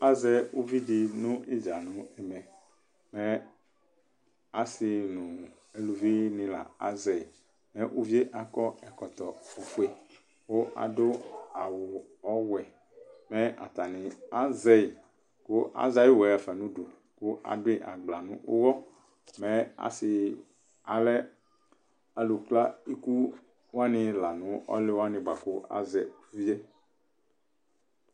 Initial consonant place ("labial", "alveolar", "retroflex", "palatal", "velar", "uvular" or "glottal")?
alveolar